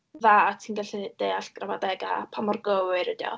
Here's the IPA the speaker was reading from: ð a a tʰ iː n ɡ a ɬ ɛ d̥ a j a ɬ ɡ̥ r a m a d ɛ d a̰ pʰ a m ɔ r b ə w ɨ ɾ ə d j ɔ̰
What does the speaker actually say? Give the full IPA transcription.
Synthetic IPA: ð a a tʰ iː n ɡ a ɬ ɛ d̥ e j a ɬ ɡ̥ r a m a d ɛ ɡ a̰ pʰ a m ɔ r ɡ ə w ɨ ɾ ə d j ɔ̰

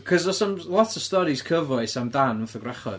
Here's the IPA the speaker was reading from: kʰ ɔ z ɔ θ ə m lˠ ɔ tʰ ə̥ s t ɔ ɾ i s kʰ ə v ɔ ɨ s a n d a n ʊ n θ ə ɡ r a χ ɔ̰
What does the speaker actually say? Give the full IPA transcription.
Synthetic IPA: kʰ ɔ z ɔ s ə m lˠ ɔ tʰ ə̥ s t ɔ ɾ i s kʰ ə v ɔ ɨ s a m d a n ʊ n θ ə ɡ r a χ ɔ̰

